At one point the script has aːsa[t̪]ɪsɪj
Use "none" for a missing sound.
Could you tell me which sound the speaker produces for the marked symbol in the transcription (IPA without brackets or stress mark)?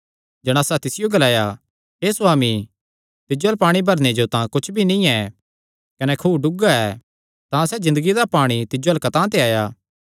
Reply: t̪